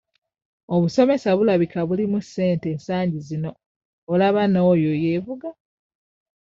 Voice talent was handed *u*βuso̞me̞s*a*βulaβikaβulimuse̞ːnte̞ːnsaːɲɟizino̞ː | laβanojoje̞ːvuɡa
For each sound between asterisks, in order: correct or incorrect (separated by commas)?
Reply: incorrect, correct